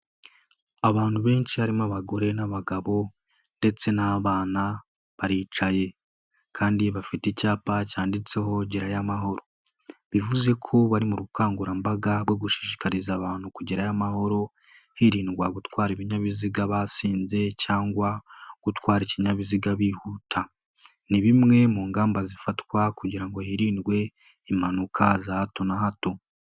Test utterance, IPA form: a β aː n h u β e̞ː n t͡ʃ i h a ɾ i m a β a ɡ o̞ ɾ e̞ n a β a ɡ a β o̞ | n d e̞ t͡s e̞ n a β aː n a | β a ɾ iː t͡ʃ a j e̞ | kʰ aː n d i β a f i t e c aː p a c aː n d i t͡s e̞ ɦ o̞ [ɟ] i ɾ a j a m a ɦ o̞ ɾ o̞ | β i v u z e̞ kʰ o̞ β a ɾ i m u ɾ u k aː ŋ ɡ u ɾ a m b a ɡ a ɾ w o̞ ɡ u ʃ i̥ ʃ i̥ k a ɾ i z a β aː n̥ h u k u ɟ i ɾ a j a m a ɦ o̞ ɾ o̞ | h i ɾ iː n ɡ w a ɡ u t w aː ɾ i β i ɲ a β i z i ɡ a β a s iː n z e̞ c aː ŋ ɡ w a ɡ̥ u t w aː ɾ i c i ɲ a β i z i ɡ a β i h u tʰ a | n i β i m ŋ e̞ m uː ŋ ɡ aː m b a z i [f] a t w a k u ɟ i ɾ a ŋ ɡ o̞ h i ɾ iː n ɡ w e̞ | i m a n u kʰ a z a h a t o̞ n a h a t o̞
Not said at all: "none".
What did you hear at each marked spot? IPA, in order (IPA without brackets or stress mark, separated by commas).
ɟ, f